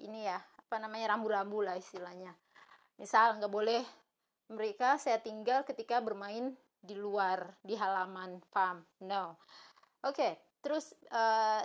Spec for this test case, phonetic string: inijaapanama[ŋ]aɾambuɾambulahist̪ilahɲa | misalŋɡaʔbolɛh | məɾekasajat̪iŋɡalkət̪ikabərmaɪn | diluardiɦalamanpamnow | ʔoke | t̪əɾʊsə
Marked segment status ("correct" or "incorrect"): incorrect